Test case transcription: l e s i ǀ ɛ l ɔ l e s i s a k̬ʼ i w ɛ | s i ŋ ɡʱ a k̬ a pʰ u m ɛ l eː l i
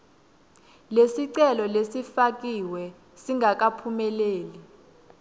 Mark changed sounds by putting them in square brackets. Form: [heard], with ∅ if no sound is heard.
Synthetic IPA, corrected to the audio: l e s i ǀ ɛ l ɔ l e s i [f] a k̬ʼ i w ɛ | s i ŋ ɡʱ a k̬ a pʰ u m ɛ l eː l i

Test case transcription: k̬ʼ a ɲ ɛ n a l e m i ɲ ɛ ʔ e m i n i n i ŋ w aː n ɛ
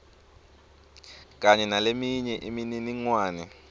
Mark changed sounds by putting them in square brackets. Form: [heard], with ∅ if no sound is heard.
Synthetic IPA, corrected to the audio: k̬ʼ a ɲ ɛ n a l e m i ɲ ɛ ʔ [i] m i n i n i ŋ w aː n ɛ

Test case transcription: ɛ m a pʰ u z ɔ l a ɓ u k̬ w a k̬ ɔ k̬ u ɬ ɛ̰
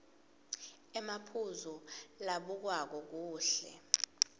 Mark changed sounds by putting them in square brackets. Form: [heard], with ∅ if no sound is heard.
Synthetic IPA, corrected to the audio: ɛ m a pʰ u z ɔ l a ɓ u k̬ w a k̬ ɔ k̬ [uː] ɬ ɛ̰

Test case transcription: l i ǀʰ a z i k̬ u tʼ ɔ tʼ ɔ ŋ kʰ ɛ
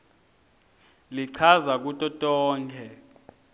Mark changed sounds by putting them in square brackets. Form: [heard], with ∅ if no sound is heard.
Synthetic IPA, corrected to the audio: l i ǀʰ a z [a] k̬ u tʼ ɔ tʼ [ɔː] ŋ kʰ ɛ

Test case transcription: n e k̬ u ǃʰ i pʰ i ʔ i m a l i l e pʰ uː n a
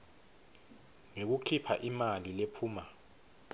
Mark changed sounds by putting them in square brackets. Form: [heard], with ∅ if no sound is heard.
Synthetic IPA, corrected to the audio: [ŋ] e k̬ u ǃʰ i pʰ [a] ʔ i m a l i l e pʰ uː [m] a

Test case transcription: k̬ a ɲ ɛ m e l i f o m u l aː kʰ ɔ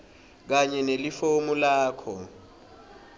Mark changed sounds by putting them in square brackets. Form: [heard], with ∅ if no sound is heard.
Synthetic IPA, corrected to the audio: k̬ a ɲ ɛ [n] e l i f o m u l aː kʰ ɔ

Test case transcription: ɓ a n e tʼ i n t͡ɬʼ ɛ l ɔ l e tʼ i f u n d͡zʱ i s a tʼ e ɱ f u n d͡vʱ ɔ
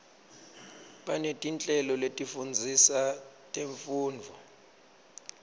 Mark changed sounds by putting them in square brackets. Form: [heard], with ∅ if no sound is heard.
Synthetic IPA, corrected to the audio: ɓ a n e tʼ i n t͡ɬʼ ɛ l ɔ l e tʼ i f u n d͡zʱ i s a tʼ e ɱ f [uː] n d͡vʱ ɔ

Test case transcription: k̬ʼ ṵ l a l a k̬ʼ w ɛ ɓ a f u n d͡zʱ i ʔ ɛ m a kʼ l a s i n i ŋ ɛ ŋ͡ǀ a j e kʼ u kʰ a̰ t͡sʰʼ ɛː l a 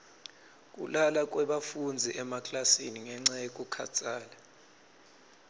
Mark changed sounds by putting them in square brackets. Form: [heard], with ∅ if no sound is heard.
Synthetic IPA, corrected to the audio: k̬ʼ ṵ l a l a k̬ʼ w ɛ ɓ a f u n d͡zʱ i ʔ ɛ m a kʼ l a s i n i ŋ ɛ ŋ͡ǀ a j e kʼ u kʰ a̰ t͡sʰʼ [aː] l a

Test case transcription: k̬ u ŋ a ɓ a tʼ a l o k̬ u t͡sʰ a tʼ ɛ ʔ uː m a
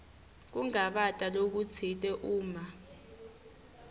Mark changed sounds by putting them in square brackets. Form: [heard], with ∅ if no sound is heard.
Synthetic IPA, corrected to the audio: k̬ u ŋ a ɓ a tʼ a l o k̬ u t͡sʰ [i] tʼ ɛ ʔ uː m a

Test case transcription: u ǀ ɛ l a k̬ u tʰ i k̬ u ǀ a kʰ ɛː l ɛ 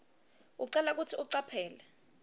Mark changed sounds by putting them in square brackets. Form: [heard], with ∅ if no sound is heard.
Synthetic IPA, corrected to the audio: u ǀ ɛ l a k̬ u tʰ i [∅] u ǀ a [pʰ] ɛː l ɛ

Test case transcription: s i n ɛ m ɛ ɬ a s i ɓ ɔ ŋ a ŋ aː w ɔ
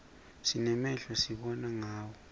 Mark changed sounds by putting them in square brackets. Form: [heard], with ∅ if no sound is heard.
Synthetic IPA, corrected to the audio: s i n ɛ m ɛ ɬ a s i ɓ ɔ [n] a ŋ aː w ɔ

